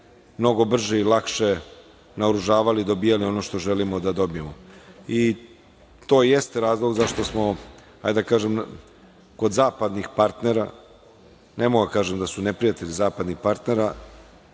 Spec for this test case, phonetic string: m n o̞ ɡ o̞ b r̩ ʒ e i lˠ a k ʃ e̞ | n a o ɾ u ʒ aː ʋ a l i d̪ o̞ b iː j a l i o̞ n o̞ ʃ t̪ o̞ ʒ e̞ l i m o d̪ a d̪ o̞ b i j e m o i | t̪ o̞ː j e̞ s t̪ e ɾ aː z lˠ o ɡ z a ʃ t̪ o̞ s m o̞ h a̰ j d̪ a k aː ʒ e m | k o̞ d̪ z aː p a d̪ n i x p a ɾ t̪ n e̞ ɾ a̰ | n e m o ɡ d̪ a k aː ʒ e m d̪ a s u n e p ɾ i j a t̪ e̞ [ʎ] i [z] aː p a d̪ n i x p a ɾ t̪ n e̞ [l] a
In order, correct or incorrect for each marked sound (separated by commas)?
correct, correct, incorrect